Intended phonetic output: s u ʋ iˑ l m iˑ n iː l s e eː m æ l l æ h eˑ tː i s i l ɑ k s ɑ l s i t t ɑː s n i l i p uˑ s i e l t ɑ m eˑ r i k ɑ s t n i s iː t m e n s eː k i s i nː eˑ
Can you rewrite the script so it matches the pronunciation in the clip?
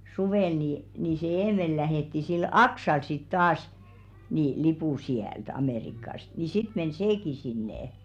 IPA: s u ʋ eˑ l n iˑ n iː s e eː m e l l æ h eˑ tː i s i l ɑ k s ɑ l s i t t ɑː s n i l i p uˑ s i æ l t ɑ m eˑ r i k ɑ s t n i s i t m e n s eː k i s i nː eˑ